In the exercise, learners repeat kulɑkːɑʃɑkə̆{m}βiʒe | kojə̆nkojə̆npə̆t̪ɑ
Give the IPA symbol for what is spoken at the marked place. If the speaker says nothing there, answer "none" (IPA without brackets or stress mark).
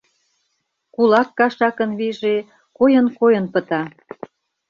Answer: n